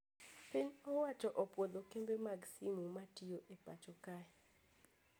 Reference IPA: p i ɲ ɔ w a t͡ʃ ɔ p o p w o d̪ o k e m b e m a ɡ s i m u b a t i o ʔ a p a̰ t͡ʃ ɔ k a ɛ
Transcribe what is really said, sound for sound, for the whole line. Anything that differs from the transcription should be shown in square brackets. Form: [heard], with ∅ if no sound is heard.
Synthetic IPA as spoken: p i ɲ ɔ w a t͡ʃ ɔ [ʔ] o p w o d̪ o k e m b e m a ɡ s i m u [m] a t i o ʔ [e] p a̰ t͡ʃ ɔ k a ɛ

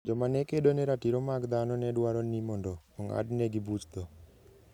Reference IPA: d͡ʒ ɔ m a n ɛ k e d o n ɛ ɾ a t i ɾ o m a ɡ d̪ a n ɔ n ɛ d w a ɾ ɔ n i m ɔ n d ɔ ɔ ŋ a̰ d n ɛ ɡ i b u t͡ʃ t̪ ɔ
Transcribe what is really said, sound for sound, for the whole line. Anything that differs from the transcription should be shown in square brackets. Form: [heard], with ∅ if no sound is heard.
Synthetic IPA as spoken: d͡ʒ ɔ m a n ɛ k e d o n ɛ ɾ a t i ɾ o m a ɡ d̪ a n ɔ n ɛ d w a ɾ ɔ n i m ɔ n d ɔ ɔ ŋ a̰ d n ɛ ɡ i b u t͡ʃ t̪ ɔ

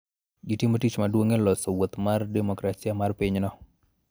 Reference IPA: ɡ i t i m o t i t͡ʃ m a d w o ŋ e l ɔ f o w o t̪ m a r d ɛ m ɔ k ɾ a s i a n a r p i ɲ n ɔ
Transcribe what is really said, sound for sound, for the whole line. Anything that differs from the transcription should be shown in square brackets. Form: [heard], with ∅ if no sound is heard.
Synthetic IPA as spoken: ɡ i t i m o t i t͡ʃ m a d w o ŋ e l ɔ [s] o w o t̪ m a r d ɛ m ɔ k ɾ a s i a [m] a r p i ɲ n ɔ

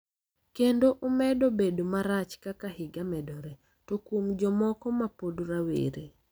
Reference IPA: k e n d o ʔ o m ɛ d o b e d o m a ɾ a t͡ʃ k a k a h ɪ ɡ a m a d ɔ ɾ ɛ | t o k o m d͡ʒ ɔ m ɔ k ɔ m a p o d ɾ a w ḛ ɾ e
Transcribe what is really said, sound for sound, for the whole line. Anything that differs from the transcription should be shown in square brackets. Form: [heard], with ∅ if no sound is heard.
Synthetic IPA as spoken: k e n d o ʔ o m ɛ d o b e d o m a ɾ a t͡ʃ k a k a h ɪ ɡ a m [ɛ] d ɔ ɾ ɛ | t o k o m d͡ʒ ɔ m ɔ k ɔ m a p o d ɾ a w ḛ ɾ e

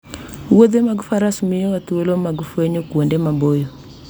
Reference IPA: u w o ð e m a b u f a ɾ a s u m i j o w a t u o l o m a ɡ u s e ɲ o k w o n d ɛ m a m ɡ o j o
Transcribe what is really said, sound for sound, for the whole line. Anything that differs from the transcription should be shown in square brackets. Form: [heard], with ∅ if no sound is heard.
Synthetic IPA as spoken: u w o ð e m a [ɡ] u f a ɾ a s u m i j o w a t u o l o m a ɡ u [f] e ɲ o k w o n d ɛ m a m [b] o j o

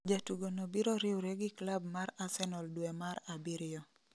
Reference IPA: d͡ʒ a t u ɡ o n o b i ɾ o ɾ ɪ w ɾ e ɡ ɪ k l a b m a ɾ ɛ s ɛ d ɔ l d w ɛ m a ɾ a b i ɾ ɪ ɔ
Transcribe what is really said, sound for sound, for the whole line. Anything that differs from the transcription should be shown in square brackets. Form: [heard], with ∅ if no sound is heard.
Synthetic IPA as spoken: d͡ʒ a t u ɡ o n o b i ɾ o ɾ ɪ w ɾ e ɡ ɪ k l a b m a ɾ [a] s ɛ [n] ɔ l d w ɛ m a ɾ a b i ɾ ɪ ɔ

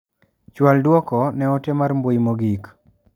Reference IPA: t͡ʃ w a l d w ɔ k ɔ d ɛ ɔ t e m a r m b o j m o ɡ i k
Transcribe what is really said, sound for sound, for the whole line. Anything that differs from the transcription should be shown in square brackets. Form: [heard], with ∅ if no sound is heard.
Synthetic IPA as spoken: t͡ʃ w a l d w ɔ k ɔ [n] ɛ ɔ t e m a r m b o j m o ɡ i k

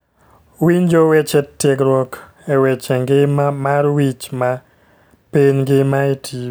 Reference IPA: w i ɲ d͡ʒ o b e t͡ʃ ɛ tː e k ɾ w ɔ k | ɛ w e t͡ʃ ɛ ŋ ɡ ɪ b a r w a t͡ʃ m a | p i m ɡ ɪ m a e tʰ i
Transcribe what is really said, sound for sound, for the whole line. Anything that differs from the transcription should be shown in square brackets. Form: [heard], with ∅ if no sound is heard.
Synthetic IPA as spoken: w i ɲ d͡ʒ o [w] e t͡ʃ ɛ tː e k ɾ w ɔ k | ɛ w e t͡ʃ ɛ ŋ ɡ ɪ [m] a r w [i] t͡ʃ m a | p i [ɲ] ɡ ɪ m a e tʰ i

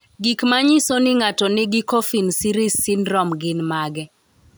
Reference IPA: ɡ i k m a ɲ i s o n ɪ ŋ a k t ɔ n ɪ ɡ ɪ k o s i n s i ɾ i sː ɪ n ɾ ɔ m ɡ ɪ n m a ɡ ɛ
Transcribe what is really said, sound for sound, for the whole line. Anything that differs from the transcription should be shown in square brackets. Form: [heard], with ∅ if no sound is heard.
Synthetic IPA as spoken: ɡ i k m a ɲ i s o n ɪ ŋ a [∅] t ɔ n ɪ ɡ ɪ k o [f] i n s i ɾ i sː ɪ n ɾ ɔ m ɡ ɪ n m a ɡ ɛ

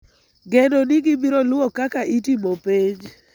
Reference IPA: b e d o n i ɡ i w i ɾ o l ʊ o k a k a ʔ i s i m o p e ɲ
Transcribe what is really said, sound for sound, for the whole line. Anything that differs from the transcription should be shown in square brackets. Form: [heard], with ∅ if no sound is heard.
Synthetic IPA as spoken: [ɡ] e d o n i ɡ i [b] i ɾ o l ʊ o k a k a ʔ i [t] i m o p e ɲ

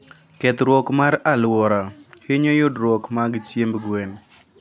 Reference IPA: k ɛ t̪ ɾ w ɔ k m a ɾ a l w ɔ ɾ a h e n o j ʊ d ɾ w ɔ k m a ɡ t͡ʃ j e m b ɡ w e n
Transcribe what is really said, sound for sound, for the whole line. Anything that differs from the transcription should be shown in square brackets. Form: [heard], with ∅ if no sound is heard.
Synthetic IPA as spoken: k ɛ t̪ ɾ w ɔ k m a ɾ a l w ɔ ɾ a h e [ɲ] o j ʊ d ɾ w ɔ k m a ɡ t͡ʃ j e m b ɡ w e n

